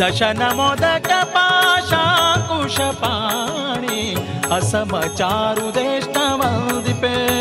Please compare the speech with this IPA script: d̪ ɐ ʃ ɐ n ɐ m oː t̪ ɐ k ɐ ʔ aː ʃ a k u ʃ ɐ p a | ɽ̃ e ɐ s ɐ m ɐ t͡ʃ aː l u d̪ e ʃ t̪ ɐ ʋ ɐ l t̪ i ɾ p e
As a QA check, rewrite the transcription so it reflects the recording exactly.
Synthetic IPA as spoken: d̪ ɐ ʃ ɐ n ɐ m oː d̪ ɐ k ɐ p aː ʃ a k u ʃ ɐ p a | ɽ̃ i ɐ s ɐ m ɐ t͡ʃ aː ɾ u d̪ e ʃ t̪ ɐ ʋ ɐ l d̪ i p e